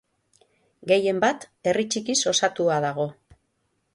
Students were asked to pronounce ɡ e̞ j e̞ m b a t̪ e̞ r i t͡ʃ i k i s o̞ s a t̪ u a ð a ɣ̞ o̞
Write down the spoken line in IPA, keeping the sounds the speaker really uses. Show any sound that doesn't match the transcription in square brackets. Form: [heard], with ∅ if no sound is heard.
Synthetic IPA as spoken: ɡ e̞ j e̞ m b a t̪ e̞ r i t͡ʃ i k i s o̞ s a t̪ u a ð a ɣ̞ o̞